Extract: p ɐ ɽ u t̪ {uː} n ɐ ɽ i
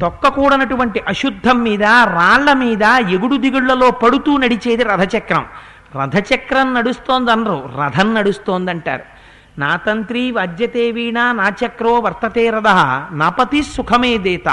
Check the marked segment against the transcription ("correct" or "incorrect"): correct